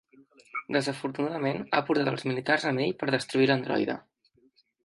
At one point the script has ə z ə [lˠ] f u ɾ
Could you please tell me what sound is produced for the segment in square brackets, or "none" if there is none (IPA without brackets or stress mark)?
none